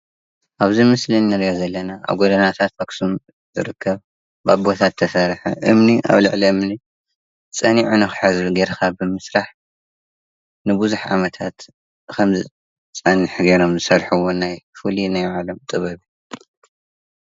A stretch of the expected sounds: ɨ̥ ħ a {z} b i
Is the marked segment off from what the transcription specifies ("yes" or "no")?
no